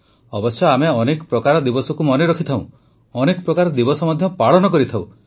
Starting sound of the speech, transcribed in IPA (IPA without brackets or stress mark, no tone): ɔ